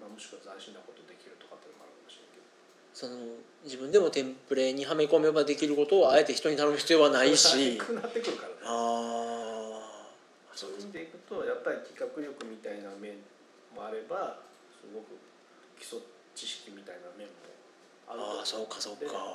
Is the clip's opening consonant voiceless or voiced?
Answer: voiced